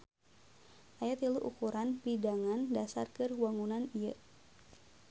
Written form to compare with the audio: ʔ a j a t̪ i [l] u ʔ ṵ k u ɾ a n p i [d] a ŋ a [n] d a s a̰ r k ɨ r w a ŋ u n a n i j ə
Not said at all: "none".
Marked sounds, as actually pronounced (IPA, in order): l, d, n

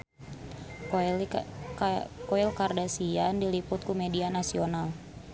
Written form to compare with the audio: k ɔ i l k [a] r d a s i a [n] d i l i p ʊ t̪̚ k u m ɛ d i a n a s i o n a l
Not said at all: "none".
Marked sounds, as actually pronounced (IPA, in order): a, n

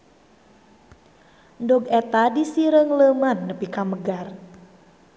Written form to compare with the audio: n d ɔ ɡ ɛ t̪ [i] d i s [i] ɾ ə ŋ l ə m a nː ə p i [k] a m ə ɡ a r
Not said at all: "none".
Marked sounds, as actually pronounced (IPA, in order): a, i, k

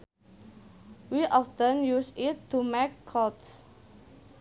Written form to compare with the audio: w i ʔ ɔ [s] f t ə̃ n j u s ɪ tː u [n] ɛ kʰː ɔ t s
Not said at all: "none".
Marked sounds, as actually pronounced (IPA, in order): none, m

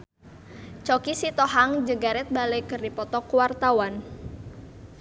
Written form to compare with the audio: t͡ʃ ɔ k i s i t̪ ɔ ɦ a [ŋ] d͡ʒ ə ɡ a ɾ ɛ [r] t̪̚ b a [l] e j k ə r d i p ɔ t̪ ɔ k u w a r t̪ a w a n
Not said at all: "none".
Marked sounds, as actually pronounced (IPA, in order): ŋ, none, l

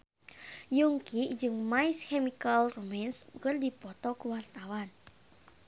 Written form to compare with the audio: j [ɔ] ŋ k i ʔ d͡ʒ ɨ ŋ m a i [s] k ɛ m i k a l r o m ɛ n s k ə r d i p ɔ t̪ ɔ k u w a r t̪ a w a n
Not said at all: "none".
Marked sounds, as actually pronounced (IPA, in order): u, s

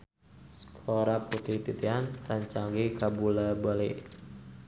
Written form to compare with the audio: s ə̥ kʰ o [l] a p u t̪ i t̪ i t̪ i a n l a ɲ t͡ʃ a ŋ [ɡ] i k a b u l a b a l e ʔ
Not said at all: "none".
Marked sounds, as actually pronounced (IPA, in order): ɾ, ɡ

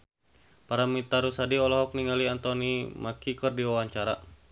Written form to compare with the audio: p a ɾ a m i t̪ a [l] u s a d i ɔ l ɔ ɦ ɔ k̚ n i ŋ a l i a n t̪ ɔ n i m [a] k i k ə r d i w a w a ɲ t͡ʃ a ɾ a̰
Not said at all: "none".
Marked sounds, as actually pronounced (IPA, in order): ɾ, a

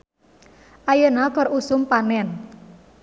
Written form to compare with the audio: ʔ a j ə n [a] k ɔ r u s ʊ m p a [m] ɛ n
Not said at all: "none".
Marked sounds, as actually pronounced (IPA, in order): a, n

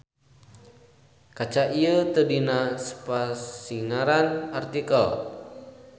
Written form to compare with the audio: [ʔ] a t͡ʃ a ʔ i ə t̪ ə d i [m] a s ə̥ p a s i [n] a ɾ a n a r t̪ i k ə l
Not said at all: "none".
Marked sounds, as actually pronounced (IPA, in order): k, n, ŋ

